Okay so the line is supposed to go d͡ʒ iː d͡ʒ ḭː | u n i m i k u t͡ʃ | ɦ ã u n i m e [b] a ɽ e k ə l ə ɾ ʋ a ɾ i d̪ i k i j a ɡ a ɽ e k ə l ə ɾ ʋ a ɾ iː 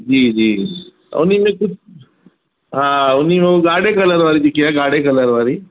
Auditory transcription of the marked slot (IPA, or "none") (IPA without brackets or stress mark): ɡ